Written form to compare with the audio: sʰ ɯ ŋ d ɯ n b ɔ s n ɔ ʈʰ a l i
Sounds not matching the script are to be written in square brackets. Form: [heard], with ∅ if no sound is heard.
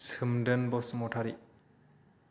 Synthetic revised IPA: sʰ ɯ [m] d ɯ n b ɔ s [m] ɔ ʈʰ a [ɾ] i